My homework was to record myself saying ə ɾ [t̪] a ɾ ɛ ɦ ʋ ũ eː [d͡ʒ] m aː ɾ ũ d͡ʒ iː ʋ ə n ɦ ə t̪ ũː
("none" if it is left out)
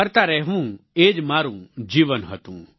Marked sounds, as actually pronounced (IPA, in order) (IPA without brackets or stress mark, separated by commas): t̪, d͡ʒ